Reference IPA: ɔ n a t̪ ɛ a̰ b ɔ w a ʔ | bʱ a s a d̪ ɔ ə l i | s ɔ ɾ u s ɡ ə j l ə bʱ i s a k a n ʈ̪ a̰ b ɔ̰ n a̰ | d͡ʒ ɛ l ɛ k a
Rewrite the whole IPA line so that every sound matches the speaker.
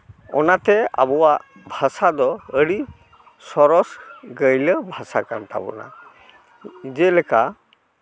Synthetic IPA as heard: ɔ n a t̪ ɛ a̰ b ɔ w a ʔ | bʱ a s a d̪ ɔ ə ɽ i | s ɔ ɾ ɔ s ɡ ə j l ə bʱ a s a k a n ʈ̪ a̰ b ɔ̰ n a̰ | d͡ʒ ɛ l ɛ k a